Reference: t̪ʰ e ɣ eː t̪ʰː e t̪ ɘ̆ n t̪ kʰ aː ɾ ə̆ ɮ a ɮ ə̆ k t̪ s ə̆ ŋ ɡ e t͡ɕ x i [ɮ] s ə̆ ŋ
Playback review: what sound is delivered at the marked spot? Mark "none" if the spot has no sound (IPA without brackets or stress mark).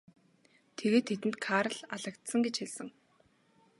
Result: ɮ